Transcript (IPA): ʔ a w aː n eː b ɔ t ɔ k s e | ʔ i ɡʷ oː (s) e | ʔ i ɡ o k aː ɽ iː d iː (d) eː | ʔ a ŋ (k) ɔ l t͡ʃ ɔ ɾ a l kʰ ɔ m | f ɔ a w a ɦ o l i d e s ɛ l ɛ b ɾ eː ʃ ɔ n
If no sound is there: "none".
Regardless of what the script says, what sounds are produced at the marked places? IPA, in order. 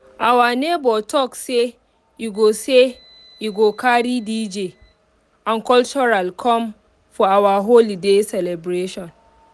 s, d͡ʒ, k

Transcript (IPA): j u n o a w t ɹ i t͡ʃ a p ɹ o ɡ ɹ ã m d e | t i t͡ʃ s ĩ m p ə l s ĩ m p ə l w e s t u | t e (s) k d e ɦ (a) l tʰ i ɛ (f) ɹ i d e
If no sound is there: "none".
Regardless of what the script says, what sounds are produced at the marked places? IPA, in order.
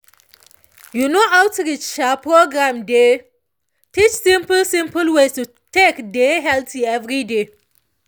none, ɛ, v

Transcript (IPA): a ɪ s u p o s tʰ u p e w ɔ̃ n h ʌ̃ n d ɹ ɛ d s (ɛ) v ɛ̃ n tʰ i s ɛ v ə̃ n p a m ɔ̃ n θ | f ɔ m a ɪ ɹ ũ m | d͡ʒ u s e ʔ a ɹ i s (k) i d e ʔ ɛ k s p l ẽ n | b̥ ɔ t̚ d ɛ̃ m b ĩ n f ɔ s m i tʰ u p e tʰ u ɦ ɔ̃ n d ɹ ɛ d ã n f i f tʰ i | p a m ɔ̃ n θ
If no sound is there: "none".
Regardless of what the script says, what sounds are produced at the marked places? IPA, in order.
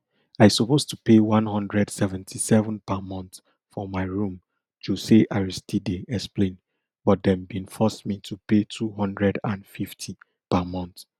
ɛ, t

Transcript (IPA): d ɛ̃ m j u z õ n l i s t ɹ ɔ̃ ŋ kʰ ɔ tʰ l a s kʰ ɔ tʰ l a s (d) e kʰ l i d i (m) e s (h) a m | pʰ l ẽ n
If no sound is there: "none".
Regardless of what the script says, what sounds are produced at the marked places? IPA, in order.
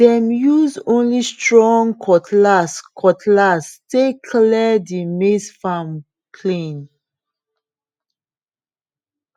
t, m, f

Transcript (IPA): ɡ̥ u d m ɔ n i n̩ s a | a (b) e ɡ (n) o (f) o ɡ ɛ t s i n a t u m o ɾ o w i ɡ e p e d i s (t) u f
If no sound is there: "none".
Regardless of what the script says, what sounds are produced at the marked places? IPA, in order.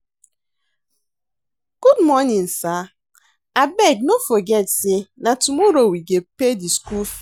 b, n, f, k

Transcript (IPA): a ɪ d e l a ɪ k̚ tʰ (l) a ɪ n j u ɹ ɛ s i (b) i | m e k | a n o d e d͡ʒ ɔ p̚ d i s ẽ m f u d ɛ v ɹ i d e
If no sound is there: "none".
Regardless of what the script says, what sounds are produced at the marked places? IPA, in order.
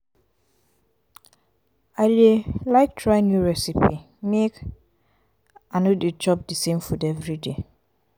ɹ, p

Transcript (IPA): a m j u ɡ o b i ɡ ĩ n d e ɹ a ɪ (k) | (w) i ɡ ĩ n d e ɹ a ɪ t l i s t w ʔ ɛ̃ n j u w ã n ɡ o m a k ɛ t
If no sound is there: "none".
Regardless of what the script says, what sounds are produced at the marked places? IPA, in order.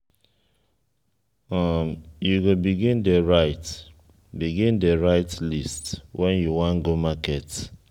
t, b

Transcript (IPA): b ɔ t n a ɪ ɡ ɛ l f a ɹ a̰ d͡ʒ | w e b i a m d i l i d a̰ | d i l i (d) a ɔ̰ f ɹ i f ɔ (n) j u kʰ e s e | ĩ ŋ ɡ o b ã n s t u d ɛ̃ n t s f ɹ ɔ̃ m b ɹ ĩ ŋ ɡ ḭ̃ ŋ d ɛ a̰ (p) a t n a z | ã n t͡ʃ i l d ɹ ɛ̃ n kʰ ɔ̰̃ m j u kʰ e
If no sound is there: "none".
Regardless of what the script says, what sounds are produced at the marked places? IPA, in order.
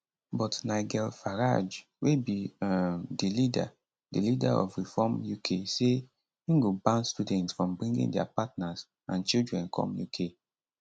d, m, p

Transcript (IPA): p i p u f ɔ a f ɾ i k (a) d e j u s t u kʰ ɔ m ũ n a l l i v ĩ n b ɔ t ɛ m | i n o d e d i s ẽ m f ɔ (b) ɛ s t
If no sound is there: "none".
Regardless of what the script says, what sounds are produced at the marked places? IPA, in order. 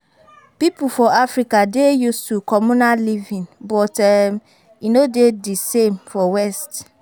a, w

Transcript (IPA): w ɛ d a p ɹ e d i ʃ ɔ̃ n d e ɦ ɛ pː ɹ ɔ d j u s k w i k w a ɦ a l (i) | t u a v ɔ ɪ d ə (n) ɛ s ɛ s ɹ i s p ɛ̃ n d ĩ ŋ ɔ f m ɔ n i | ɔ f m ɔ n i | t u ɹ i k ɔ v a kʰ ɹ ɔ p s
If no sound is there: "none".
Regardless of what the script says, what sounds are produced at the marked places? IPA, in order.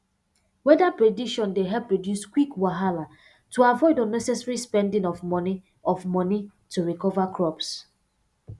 a, n

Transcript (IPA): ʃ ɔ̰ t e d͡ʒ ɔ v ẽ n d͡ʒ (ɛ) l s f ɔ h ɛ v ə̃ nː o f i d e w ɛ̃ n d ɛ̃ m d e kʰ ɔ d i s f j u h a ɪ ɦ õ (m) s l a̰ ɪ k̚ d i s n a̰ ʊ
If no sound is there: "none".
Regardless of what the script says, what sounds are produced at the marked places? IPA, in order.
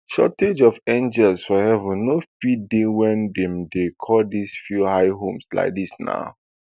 ɛ, m

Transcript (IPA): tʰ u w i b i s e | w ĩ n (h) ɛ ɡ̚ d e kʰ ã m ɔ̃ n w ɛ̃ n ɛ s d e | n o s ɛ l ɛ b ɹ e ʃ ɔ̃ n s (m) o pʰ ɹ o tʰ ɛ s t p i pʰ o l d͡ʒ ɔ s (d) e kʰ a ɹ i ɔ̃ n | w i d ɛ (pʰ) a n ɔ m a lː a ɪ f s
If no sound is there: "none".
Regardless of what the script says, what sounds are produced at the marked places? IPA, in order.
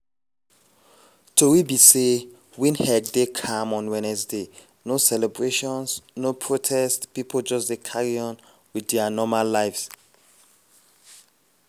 h, n, d, none

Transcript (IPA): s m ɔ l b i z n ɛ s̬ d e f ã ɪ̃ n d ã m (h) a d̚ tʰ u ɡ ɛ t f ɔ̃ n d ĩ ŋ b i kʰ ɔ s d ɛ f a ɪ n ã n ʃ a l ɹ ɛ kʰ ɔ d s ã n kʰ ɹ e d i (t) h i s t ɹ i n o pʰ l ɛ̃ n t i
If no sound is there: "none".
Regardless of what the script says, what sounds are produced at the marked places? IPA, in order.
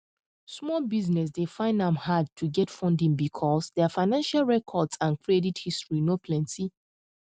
h, t

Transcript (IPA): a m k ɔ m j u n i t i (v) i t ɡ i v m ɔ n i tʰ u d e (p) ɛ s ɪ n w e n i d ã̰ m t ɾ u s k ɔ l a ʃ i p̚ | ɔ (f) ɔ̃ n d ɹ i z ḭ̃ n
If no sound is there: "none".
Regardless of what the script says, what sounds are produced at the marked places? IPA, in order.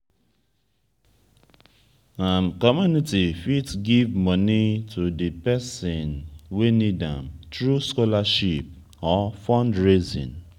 f, p, f

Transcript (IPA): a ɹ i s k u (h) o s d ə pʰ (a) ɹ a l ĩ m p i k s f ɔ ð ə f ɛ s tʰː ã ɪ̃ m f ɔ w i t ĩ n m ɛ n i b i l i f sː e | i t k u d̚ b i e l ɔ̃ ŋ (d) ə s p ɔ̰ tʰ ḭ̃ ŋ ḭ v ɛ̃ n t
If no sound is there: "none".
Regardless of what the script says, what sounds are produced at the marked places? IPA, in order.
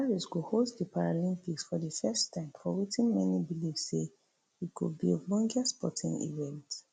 h, a, ɡ

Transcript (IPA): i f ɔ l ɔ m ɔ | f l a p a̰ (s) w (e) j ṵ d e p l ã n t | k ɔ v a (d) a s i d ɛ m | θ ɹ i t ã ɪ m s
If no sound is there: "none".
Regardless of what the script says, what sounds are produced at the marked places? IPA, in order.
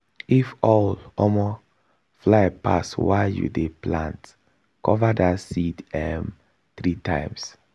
s, a, d

